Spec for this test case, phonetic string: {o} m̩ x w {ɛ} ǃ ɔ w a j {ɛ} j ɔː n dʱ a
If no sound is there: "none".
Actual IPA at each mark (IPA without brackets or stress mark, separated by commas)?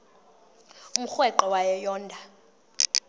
u, ɛ, ɛ